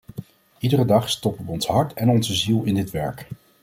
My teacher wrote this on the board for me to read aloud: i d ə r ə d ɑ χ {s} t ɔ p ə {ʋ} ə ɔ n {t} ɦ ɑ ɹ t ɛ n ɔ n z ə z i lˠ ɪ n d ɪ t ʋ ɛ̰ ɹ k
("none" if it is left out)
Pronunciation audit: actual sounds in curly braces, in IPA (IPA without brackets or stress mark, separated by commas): s, ʋ, s